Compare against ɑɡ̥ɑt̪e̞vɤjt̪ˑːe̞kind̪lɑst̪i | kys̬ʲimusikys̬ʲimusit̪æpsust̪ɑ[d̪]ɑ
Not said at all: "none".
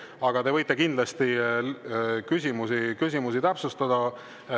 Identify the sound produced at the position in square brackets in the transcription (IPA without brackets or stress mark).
d̪